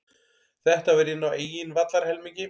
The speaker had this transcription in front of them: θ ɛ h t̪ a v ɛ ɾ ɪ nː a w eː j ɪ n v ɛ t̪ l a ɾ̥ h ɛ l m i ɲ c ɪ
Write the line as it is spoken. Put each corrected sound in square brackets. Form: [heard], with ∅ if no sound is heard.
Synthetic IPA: θ ɛ h t̪ a v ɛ ɾ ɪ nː a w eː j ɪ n v [a] t̪ l a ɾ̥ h ɛ l m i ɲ c ɪ